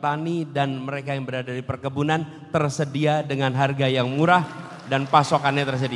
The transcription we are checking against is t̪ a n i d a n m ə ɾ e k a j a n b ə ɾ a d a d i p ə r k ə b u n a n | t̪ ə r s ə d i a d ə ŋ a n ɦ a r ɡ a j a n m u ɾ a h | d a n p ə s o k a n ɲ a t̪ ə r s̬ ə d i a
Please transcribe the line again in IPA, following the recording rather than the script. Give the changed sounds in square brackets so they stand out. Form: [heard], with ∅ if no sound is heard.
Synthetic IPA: t̪ a n i d a n m ə ɾ e k a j a [ŋ] b ə ɾ a d a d i p ə r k ə b u n a n | t̪ ə r s ə d i a d ə ŋ a n ɦ a r ɡ a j a [ŋ] m u ɾ a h | d a n p [a] s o k a n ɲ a t̪ ə r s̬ ə d i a

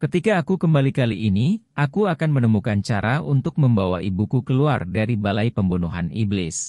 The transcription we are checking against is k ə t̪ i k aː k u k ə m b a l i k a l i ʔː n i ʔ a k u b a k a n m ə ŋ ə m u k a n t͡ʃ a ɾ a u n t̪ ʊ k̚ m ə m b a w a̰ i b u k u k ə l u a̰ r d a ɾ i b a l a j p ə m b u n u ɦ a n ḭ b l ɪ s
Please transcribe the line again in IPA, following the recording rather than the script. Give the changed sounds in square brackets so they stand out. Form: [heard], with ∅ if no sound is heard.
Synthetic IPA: k ə t̪ i k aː k u k ə m b a l i k a l i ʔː n i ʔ a k u [∅] a k a n m ə [n] ə m u k a n t͡ʃ a ɾ a u n t̪ ʊ k̚ m ə m b a w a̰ i b u k u k ə l u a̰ r d a ɾ i b a l a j p ə m b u n u ɦ a n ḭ b l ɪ s

